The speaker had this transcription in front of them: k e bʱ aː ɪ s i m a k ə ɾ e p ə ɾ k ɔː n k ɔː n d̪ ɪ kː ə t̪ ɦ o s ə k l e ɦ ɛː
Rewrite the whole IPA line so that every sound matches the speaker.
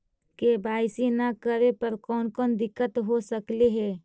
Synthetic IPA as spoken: k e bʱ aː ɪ s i n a k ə ɾ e p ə ɾ k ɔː n k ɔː n d̪ ɪ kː ə t̪ ɦ o s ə k l e ɦ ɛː